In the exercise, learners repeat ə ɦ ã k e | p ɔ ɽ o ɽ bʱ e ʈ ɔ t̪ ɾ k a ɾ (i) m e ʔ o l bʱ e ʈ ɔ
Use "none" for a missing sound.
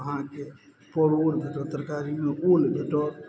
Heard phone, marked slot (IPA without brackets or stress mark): i